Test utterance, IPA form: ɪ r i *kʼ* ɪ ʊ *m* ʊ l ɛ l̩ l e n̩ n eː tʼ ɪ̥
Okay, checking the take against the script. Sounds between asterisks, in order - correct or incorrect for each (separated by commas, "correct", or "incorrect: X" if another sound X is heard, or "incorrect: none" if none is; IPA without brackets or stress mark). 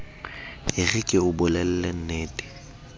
correct, incorrect: b